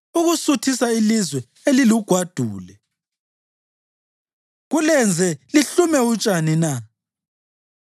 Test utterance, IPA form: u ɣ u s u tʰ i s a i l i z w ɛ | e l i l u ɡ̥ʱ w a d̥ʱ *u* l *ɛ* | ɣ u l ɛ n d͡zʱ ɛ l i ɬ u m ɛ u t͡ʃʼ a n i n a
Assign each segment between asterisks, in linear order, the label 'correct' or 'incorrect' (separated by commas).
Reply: incorrect, correct